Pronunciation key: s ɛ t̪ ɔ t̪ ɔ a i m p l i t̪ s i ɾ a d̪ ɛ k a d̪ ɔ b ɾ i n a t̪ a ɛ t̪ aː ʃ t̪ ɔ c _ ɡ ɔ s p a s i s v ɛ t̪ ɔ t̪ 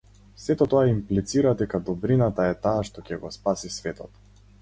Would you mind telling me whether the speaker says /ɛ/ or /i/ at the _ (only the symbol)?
ɛ